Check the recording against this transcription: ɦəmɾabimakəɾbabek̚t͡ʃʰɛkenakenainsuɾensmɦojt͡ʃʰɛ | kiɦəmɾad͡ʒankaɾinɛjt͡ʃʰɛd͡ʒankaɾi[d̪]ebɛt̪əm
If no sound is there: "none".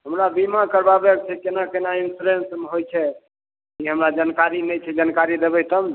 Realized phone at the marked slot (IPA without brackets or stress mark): d̪